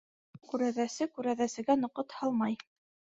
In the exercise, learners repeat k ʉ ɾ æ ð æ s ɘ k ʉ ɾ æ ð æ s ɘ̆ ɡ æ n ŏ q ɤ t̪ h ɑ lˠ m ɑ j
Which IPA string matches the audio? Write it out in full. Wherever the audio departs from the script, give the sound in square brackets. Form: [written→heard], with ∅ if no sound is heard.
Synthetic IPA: k ʉ ɾ æ ð æ s ɘ k ʉ ɾ æ ð æ s ɘ̆ ɡ æ n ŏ q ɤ t̪ h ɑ lˠ m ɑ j